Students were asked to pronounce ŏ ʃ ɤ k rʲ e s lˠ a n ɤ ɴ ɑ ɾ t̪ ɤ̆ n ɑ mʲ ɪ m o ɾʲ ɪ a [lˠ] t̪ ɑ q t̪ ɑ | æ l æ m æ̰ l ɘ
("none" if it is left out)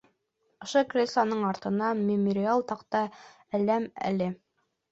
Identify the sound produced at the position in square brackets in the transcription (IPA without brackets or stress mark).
lˠ